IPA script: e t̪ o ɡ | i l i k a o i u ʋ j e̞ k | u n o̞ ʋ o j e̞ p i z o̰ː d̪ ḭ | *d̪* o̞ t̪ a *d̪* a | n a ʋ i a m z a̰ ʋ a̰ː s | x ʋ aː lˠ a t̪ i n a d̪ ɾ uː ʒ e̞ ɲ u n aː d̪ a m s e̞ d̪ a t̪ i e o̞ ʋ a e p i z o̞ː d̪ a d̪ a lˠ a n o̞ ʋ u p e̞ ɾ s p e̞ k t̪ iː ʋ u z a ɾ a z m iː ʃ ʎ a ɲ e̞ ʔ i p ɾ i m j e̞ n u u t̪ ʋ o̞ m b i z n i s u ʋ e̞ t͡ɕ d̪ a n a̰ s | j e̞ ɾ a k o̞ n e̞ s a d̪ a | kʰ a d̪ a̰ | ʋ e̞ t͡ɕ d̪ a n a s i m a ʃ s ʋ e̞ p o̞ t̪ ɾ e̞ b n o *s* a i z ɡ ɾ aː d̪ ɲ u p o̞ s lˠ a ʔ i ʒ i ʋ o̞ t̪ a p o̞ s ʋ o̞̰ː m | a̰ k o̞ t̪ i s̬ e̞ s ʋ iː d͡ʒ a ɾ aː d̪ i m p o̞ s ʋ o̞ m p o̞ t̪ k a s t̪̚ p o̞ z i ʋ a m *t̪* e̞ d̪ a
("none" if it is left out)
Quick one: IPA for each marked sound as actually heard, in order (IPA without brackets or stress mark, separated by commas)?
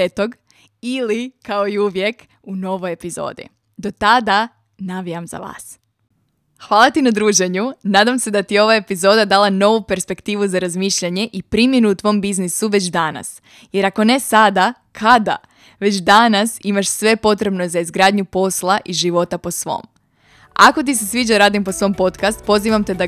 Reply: d̪, d̪, z, t̪